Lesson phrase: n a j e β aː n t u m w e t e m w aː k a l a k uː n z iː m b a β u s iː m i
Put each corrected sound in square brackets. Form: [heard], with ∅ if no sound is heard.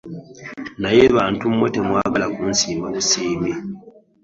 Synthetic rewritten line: n a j e β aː n t u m w e t e m w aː [ɡ] a l a k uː n [s] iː m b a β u s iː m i